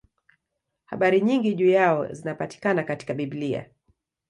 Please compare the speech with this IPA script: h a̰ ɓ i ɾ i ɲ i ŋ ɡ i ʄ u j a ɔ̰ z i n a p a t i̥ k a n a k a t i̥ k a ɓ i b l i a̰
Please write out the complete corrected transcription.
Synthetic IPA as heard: h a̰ ɓ a ɾ i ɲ i ŋ ɡ i ʄ u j a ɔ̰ z i n a p a t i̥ k a n a k a t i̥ k a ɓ i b l i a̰